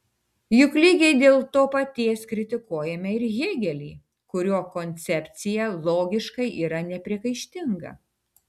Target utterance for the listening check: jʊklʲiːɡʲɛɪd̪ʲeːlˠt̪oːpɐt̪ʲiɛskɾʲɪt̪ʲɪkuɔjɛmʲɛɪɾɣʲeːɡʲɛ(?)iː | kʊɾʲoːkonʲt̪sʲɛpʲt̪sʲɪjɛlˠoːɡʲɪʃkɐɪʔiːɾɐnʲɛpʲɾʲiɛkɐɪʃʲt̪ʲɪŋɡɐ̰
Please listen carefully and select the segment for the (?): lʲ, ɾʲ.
lʲ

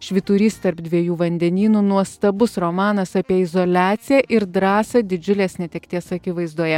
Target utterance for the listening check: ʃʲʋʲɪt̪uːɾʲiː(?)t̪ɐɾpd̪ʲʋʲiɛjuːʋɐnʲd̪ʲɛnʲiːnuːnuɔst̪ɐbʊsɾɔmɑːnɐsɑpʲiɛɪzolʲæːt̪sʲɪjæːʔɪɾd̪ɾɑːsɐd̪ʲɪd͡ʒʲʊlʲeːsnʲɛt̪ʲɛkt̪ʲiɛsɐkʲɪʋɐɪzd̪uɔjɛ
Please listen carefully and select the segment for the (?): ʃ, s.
s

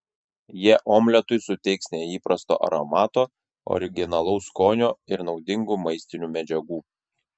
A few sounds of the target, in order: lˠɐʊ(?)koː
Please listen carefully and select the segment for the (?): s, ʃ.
s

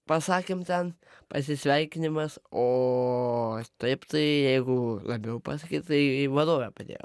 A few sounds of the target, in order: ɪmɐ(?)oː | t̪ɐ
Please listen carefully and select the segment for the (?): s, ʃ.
s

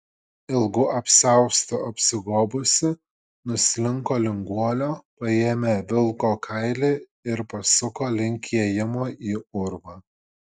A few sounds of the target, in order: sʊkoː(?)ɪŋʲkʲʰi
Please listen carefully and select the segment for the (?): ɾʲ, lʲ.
lʲ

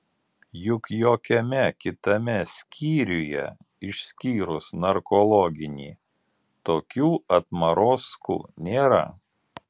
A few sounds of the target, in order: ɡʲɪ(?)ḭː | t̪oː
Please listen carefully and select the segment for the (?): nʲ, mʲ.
nʲ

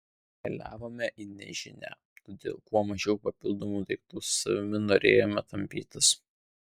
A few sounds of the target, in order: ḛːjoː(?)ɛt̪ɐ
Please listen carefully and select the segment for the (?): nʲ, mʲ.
mʲ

